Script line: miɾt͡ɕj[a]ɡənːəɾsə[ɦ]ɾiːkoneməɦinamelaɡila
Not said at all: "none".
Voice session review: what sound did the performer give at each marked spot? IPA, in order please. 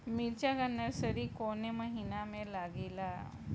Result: a, none

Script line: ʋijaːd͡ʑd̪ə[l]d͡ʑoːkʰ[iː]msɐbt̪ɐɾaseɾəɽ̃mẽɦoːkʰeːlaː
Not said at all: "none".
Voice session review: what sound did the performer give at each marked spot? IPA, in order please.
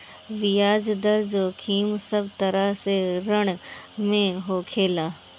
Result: ɾ, iː

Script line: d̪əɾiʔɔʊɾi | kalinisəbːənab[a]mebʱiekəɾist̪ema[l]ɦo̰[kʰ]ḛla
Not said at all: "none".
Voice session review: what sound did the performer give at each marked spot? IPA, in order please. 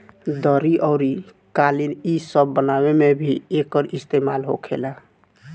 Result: e, l, kʰ

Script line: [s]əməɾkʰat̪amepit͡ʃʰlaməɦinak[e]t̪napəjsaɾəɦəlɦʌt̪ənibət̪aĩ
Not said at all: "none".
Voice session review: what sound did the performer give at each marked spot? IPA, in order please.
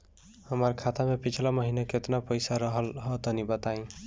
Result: h, e

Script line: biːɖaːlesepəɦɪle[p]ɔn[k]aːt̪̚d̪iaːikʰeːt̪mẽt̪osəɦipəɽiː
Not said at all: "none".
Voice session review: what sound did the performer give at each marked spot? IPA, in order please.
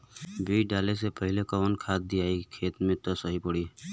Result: k, kʰ

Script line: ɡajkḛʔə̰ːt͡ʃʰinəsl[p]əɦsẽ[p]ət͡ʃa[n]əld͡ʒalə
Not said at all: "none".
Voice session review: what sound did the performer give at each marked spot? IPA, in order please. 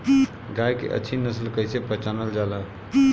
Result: k, p, n

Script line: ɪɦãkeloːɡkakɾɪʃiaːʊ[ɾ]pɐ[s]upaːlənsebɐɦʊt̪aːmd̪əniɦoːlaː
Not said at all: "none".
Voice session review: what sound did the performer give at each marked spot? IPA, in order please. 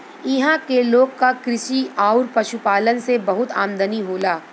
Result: ɾ, ʃ

